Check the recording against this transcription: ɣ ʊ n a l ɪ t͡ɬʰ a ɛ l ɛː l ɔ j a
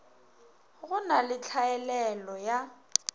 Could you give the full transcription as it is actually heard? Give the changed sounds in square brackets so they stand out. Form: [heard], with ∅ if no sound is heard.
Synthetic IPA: ɣ ʊ n a l ɪ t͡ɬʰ a ɛ l [ɛ] l ɔ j a